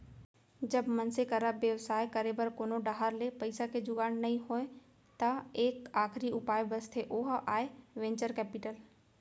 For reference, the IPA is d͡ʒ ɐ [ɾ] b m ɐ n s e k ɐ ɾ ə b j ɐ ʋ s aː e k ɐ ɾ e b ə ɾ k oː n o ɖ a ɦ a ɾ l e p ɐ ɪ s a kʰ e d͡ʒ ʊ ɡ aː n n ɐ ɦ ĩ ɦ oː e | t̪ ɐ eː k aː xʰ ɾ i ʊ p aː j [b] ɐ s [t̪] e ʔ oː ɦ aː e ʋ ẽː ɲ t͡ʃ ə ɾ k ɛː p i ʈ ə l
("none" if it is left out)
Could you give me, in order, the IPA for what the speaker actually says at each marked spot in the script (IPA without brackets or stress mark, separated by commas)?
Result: none, b, t̪ʰ